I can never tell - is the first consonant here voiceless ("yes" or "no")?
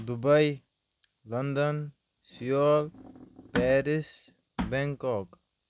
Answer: no